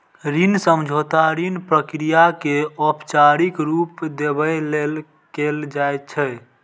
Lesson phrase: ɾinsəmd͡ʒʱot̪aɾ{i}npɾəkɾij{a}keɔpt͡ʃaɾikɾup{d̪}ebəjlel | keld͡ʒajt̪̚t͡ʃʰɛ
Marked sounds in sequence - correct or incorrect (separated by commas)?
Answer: correct, correct, correct